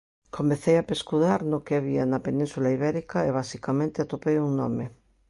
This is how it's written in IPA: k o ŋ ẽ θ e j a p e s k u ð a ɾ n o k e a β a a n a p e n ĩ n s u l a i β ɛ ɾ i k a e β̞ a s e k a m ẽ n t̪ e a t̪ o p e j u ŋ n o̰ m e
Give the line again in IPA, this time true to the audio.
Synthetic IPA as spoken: k o m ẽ θ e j a p e s k u ð a ɾ n o k e a β i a n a p e n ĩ n s u l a i β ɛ ɾ i k a e β̞ a s i k a m ẽ n t̪ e a t̪ o p e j u ŋ n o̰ m e